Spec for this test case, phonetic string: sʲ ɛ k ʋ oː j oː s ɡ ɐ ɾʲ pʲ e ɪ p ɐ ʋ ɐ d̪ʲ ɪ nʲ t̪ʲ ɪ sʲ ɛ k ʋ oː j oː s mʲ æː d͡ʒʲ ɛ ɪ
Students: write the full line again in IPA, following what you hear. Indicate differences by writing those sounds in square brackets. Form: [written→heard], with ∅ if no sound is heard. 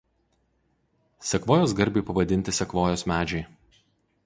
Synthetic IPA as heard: sʲ ɛ k ʋ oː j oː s ɡ ɐ ɾʲ [pʲ→bʲ] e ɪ p ɐ ʋ ɐ d̪ʲ ɪ nʲ t̪ʲ ɪ sʲ ɛ k ʋ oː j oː s mʲ æː d͡ʒʲ ɛ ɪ